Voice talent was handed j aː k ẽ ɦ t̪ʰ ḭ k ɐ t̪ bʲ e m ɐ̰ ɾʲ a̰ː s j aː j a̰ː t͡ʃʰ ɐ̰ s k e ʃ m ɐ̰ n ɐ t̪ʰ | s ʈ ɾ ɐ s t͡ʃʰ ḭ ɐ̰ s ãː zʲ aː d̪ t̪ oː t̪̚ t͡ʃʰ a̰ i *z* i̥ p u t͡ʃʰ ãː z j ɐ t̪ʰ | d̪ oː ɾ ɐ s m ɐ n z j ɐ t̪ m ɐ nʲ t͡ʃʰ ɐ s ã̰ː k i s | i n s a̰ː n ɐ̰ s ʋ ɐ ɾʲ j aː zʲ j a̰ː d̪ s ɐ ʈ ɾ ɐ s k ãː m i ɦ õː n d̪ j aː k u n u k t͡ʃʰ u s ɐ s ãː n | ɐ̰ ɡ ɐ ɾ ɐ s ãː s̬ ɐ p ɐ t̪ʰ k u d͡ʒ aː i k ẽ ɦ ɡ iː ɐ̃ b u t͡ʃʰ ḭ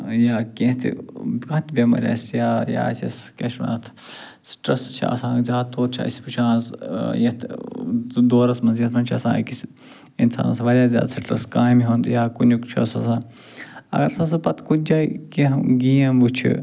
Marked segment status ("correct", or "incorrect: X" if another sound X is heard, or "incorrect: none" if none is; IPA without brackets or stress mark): incorrect: s